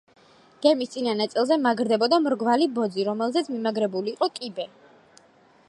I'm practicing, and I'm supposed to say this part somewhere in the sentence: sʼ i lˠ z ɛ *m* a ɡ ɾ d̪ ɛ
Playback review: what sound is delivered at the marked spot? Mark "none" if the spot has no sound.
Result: m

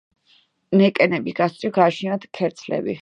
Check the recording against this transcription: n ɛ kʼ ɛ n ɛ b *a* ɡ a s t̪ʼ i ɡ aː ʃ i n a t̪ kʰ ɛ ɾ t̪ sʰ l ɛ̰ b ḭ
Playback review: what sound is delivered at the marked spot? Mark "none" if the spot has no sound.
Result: i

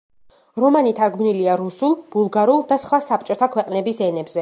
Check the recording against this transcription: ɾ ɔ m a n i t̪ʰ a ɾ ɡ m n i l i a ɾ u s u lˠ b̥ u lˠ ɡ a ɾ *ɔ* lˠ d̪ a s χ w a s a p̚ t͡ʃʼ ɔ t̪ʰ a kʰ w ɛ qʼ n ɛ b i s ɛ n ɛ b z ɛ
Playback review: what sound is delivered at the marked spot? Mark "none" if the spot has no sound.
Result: u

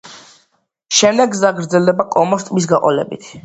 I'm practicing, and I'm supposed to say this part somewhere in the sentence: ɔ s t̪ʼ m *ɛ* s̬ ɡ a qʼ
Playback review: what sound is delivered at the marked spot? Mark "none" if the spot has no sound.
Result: i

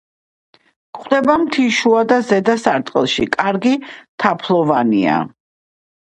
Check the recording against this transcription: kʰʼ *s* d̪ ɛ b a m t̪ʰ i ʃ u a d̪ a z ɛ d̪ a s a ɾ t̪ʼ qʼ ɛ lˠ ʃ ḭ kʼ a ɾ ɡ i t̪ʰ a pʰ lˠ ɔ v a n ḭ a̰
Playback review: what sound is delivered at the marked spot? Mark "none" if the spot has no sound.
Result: χ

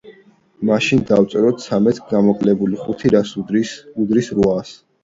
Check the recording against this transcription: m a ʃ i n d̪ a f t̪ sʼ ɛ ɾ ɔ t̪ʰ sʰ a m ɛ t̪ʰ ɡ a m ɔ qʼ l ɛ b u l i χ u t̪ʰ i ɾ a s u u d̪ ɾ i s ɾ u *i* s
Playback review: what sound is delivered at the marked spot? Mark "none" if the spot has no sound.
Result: a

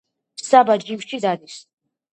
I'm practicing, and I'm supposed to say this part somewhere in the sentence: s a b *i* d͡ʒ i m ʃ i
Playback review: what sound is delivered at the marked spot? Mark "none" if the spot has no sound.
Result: a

